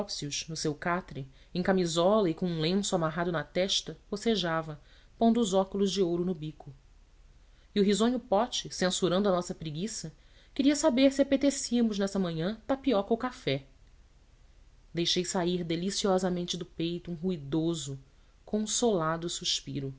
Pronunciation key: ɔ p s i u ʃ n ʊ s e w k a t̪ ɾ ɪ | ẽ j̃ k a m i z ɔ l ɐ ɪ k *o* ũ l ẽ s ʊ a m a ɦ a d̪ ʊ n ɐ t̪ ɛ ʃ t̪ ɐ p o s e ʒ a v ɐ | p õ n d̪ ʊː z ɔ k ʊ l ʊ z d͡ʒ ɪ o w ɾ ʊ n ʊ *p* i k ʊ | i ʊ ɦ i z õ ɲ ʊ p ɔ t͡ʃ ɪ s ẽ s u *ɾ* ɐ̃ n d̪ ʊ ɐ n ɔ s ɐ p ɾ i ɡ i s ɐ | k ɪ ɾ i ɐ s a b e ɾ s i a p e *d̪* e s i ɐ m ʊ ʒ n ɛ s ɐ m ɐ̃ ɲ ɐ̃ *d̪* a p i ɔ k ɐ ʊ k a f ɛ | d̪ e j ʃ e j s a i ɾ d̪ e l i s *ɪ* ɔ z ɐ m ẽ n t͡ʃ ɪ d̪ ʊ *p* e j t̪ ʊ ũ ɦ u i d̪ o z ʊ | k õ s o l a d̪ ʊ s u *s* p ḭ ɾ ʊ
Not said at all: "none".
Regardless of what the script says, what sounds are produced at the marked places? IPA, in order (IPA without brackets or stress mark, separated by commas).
õ, b, ɾ, t̪, t̪, i, p, ʃ